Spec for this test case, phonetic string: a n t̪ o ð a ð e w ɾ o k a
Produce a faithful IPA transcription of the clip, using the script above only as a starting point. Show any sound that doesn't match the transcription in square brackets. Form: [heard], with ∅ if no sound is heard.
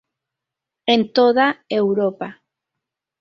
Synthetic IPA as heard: [e] n t̪ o ð a [∅] e w ɾ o [p] a